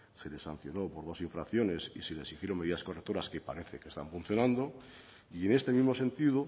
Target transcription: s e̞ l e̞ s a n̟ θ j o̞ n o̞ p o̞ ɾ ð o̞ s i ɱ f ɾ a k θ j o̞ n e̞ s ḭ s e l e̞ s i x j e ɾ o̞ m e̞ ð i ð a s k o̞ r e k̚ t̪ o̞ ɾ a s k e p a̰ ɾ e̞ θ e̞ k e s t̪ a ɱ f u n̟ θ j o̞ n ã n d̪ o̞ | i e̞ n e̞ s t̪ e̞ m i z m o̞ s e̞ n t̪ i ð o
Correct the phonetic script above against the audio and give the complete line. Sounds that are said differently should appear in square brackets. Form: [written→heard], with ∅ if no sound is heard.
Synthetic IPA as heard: s e̞ l e̞ s a n̟ θ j o̞ n o̞ p o̞ ɾ ð o̞ s i ɱ f ɾ a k θ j o̞ n e̞ s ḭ s e l e̞ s i x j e ɾ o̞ m e̞ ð i ð a s k o̞ r e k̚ t̪ o̞ ɾ a s k e p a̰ ɾ e̞ θ e̞ k e s t̪ a ɱ f u n̟ θ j o̞ n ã n d̪ o̞ | i e̞ n e̞ s t̪ e̞ m i z m o̞ s e̞ n t̪ i ð o